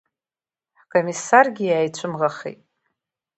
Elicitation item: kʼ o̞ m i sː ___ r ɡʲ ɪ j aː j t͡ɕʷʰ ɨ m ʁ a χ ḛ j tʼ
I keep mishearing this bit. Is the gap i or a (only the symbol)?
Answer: a